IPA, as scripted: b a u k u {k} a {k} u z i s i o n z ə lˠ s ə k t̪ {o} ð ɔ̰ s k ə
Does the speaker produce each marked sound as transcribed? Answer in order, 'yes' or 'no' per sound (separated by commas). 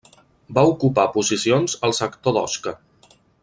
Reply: no, no, yes